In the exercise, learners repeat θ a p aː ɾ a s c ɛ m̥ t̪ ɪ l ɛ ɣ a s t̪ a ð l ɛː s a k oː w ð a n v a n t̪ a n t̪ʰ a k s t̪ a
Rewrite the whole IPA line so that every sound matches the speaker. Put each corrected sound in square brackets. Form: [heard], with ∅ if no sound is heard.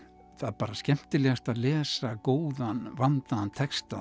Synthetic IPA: θ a p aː ɾ a s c ɛ m̥ t̪ ɪ l ɛ ɣ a s t̪ a ð l ɛː s a k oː w ð a n v a n t̪ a n t̪ʰ [ɛ] k s t̪ a